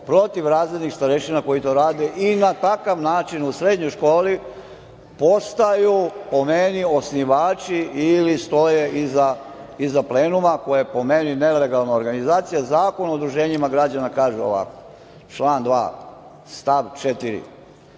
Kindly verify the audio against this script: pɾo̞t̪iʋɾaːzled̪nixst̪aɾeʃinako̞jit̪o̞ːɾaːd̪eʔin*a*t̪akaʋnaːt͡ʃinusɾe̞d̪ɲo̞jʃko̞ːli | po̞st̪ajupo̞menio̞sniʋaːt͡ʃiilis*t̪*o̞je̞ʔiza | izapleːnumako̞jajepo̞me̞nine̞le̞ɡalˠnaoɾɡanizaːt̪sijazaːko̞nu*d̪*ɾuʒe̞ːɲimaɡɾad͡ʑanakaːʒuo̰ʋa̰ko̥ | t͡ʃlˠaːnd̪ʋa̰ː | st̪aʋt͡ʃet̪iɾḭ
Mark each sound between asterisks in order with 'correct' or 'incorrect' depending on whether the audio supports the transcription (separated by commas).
correct, correct, correct